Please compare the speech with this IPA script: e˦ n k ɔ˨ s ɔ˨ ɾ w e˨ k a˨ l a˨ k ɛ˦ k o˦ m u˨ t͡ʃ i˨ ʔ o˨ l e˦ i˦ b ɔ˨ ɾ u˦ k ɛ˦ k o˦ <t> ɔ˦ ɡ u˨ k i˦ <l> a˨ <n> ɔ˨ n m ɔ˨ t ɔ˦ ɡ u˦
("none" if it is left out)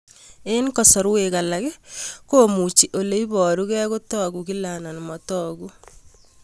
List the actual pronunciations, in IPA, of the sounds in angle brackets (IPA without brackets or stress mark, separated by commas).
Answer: t, l, n